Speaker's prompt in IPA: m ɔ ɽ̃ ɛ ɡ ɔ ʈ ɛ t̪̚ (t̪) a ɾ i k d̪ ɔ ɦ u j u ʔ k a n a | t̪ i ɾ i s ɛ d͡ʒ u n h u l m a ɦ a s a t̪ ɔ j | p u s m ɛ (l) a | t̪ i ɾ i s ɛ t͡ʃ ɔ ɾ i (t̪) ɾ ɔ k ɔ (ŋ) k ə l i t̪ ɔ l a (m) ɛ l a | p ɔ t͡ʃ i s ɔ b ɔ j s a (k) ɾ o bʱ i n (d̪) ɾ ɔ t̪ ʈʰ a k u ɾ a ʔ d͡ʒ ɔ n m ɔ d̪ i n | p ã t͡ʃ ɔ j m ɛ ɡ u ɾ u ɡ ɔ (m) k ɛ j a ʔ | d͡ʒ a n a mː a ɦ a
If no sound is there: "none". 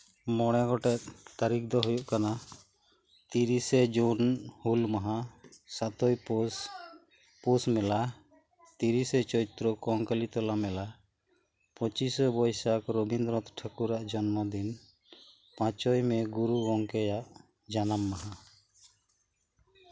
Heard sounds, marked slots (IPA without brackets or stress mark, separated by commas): t̪, l, t̪, ŋ, m, k, d̪, ŋ